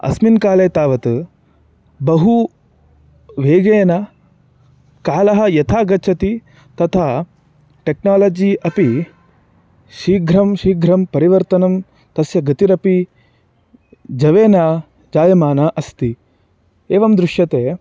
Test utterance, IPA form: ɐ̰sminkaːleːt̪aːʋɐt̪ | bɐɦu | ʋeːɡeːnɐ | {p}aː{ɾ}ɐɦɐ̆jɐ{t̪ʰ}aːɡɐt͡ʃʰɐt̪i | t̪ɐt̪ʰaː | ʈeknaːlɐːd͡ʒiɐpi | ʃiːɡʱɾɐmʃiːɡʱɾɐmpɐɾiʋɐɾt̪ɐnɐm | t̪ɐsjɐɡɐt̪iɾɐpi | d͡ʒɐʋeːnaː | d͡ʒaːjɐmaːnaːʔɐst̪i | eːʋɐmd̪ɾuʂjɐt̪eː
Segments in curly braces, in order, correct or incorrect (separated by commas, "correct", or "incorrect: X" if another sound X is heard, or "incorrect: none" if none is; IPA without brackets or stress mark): incorrect: k, incorrect: l, correct